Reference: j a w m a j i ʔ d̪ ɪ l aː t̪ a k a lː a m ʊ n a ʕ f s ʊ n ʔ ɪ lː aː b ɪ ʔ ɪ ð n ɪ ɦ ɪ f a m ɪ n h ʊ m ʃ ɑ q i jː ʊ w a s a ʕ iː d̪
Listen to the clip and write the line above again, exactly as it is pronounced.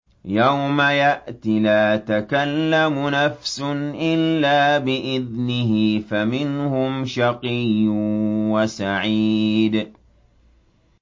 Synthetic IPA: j a w m a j a ʔ t̪ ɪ l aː t̪ a k a lː a m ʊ n a f s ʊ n ʔ ɪ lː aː b ɪ ʔ ɪ ð n ɪ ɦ ɪ f a m ɪ n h ʊ m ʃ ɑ q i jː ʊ w a s a ʕ iː d̪